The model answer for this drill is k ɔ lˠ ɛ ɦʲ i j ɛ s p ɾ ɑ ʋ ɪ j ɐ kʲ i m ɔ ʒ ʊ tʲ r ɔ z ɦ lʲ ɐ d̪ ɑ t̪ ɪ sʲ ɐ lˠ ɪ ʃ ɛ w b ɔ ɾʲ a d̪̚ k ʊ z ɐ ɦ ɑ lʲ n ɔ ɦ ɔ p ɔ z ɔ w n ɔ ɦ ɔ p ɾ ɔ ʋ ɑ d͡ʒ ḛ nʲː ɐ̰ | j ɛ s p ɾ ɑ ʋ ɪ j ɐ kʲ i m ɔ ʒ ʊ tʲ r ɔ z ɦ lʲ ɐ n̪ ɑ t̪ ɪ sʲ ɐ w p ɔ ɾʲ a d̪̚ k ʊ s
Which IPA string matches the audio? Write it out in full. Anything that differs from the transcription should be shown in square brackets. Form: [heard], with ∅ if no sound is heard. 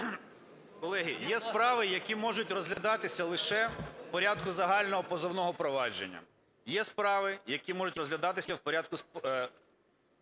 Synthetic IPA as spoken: k ɔ lˠ ɛ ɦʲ i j ɛ s p ɾ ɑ ʋ ɪ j ɐ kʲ i m ɔ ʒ ʊ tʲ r ɔ z ɦ lʲ ɐ d̪ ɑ t̪ ɪ sʲ ɐ lˠ ɪ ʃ ɛ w [p] ɔ ɾʲ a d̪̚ k ʊ z ɐ ɦ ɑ lʲ n ɔ ɦ ɔ p ɔ z ɔ w n ɔ ɦ ɔ p ɾ ɔ ʋ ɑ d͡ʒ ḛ nʲː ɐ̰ | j ɛ s p ɾ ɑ ʋ ɪ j ɐ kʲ i m ɔ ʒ ʊ tʲ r ɔ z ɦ lʲ ɐ [d̪] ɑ t̪ ɪ sʲ ɐ w p ɔ ɾʲ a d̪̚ k ʊ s

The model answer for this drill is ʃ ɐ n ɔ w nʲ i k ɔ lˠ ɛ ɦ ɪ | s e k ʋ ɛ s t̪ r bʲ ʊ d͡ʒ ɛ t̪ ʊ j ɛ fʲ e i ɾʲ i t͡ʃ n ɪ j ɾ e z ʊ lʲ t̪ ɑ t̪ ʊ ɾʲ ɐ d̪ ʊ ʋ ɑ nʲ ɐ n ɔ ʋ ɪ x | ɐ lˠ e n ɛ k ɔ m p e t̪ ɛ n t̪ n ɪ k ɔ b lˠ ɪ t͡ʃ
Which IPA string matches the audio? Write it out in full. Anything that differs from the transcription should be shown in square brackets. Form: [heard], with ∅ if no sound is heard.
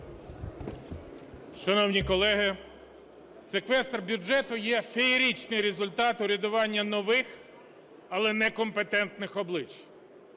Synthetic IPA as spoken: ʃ ɐ n ɔ w nʲ i k ɔ lˠ ɛ ɦ ɪ | s e k ʋ ɛ s t̪ r bʲ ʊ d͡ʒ ɛ t̪ ʊ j ɛ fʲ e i ɾʲ i t͡ʃ n ɪ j ɾ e z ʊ lʲ t̪ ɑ t̪ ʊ ɾʲ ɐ d̪ ʊ ʋ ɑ [nʲː] ɐ n ɔ ʋ ɪ x | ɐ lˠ [ɛ] n ɛ k ɔ m p e t̪ ɛ n t̪ n ɪ [x] ɔ b lˠ ɪ t͡ʃ

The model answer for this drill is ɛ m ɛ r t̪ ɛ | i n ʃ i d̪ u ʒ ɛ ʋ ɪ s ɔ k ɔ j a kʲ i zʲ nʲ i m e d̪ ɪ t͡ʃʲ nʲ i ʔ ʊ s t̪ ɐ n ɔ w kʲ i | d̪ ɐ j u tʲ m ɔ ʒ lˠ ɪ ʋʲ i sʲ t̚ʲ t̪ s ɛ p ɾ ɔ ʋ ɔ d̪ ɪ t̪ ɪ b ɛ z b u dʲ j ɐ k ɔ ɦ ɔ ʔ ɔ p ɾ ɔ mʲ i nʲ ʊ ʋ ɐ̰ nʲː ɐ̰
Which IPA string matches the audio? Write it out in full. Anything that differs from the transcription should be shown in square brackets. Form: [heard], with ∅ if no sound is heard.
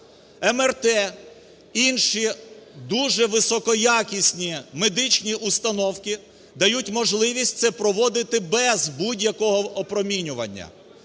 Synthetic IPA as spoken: ɛ m ɛ r t̪ ɛ | i n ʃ i d̪ u ʒ ɛ ʋ ɪ s ɔ k ɔ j a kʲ i [sʲ] nʲ i m e d̪ ɪ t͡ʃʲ nʲ i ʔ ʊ s t̪ ɐ n ɔ w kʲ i | d̪ ɐ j u tʲ m ɔ ʒ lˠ ɪ ʋʲ i sʲ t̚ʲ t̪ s ɛ p ɾ ɔ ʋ ɔ d̪ ɪ t̪ ɪ b ɛ z b u dʲ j ɐ k ɔ ɦ ɔ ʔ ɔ p ɾ ɔ mʲ i nʲ ʊ ʋ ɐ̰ nʲː ɐ̰

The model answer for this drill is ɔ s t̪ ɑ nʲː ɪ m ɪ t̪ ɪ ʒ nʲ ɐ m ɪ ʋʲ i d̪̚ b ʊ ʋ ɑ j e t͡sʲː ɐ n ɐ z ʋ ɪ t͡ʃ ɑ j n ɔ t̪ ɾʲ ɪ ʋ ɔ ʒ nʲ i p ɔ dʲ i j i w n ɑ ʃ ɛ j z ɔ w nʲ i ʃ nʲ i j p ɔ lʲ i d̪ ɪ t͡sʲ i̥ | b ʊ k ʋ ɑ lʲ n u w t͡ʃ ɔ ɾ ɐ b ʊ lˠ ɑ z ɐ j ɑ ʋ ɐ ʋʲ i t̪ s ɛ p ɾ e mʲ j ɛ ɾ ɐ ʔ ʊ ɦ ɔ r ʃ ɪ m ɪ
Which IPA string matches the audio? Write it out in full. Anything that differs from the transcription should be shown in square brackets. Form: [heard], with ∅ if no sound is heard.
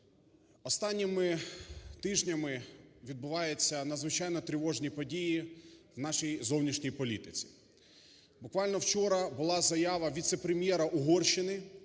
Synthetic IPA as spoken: ɔ s t̪ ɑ nʲː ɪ m ɪ t̪ ɪ ʒ nʲ ɐ m ɪ ʋʲ i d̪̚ b ʊ ʋ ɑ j e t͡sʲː ɐ n ɐ z ʋ ɪ t͡ʃ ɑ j n ɔ t̪ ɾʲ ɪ ʋ ɔ ʒ nʲ i p ɔ dʲ i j i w n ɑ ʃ [i] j z ɔ w nʲ i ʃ nʲ i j p ɔ lʲ i [t̪] ɪ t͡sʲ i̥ | b ʊ k ʋ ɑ lʲ n [ɔ] w t͡ʃ ɔ ɾ ɐ b ʊ lˠ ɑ z ɐ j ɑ ʋ ɐ ʋʲ i t̪ s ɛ p ɾ e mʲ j ɛ ɾ ɐ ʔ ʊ ɦ ɔ r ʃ ɪ [n] ɪ

